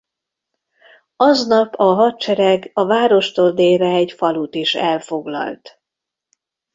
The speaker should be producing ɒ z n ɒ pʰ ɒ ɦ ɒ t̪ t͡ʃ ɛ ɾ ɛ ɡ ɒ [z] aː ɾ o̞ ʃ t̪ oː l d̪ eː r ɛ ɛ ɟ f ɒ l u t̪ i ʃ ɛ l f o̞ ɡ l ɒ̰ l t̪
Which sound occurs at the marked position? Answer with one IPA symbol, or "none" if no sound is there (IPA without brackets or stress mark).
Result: v